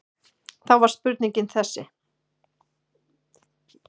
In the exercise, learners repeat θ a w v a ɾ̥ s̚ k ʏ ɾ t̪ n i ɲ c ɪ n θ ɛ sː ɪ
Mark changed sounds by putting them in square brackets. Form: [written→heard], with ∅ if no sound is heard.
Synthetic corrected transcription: θ a w v a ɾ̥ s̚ [k→p] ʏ ɾ t̪ n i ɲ c ɪ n θ ɛ sː ɪ